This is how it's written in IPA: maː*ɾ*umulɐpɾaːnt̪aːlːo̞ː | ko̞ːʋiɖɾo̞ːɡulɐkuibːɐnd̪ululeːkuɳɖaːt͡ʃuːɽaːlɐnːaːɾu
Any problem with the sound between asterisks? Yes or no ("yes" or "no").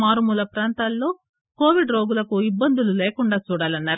no